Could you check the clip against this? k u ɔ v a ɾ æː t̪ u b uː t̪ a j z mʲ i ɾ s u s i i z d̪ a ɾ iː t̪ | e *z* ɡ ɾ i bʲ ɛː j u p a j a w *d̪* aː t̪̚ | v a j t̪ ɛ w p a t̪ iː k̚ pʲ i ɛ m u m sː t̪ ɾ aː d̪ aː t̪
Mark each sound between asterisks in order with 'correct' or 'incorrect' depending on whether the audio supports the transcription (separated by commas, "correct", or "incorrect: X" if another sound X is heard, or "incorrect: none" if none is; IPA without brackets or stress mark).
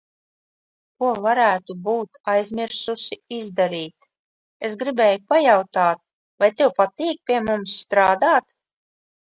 incorrect: s, incorrect: t̪